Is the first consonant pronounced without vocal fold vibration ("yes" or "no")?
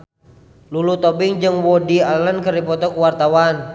no